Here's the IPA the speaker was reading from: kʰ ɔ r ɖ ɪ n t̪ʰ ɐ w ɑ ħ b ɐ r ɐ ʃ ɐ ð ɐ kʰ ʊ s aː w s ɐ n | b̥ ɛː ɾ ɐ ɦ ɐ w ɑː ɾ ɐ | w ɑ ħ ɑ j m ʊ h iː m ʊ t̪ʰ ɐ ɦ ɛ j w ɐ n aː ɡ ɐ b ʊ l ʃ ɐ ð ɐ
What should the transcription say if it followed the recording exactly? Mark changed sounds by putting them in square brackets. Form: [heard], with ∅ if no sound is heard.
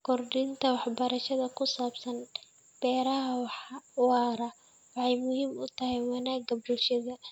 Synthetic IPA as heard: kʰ ɔ r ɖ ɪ n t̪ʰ ɐ w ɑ ħ b ɐ [ɾ] ɐ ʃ ɐ ð ɐ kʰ ʊ s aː [b] s ɐ n | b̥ ɛː ɾ ɐ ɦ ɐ w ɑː ɾ ɐ | w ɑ ħ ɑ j m ʊ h iː m ʊ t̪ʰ ɐ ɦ ɛ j w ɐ n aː ɡ ɐ b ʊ l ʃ ɐ ð ɐ